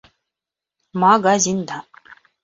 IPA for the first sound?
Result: m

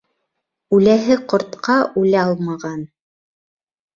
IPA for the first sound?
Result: ʉ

